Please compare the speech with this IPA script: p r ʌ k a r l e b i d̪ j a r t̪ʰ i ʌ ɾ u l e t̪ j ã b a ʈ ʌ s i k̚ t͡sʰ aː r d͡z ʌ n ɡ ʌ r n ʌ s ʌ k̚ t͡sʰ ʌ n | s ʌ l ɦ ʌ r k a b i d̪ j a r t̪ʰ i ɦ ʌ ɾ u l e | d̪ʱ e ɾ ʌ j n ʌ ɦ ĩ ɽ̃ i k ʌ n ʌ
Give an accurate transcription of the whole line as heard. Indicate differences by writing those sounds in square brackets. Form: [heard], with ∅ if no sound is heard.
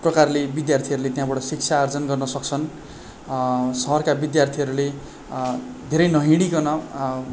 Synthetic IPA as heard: p r ʌ k a r l e b i d̪ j a r t̪ʰ i ʌ ɾ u l e t̪ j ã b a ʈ ʌ s i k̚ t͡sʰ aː r d͡z ʌ n ɡ ʌ r n ʌ s ʌ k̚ t͡sʰ ʌ n | s ʌ [∅] ɦ ʌ r k a b i d̪ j a r t̪ʰ i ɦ ʌ ɾ u l e | d̪ʱ e ɾ ʌ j n ʌ ɦ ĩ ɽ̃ i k ʌ n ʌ